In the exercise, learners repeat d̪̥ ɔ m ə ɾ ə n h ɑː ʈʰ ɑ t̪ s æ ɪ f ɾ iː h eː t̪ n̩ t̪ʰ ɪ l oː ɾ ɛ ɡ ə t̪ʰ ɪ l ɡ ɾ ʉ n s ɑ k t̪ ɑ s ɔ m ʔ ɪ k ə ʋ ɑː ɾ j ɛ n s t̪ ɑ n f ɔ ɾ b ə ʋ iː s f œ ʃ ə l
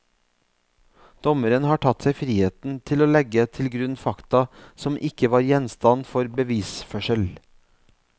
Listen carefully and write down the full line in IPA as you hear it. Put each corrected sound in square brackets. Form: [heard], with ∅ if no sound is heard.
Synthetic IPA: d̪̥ ɔ m ə ɾ ə n h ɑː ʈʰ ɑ t̪ s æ ɪ f ɾ iː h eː t̪ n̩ t̪ʰ ɪ l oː [l] ɛ ɡ ə t̪ʰ ɪ l ɡ ɾ ʉ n [f] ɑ k t̪ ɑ s ɔ m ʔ ɪ k ə ʋ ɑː ɾ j ɛ n s t̪ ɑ n f ɔ ɾ b ə ʋ iː s f œ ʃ ə l